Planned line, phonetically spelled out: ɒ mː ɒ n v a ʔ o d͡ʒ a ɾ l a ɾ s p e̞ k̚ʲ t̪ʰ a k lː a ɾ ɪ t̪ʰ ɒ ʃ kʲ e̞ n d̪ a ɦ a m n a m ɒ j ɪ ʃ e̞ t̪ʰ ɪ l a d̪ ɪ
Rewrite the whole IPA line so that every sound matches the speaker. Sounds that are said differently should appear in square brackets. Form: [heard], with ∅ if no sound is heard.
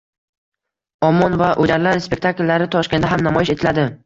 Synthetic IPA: ɒ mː ɒ n v a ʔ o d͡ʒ a ɾ l a ɾ s p e̞ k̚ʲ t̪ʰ a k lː a ɾ ɪ t̪ʰ ɒ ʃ kʲ e̞ n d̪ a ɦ a m n a m ɒ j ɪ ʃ e̞ t̪ʰ ɪ l a d̪ ɪ